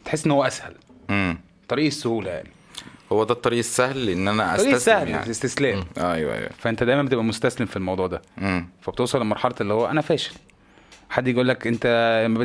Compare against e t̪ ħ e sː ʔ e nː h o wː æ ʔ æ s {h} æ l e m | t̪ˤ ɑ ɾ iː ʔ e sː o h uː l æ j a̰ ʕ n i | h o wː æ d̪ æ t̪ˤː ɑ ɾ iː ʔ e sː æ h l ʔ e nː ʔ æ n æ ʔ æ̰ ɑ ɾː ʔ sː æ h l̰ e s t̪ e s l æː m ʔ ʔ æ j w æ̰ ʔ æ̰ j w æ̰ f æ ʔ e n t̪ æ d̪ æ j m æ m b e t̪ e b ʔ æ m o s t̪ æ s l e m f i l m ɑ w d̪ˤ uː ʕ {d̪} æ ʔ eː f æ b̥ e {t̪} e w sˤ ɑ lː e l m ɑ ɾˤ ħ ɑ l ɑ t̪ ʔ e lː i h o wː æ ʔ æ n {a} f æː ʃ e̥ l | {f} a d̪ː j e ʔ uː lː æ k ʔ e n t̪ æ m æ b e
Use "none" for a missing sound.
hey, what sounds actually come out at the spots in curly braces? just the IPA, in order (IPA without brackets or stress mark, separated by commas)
h, d̪, t̪, æ, ħ